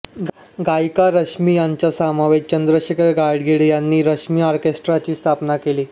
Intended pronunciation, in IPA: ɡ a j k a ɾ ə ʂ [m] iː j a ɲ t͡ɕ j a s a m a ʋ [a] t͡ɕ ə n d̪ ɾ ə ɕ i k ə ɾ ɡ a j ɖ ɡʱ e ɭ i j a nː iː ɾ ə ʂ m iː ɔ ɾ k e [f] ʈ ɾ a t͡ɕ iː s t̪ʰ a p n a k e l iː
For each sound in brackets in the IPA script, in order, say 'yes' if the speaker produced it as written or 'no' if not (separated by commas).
yes, no, no